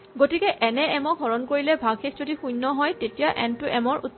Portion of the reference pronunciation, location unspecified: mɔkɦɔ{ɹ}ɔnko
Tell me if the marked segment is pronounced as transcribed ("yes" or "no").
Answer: yes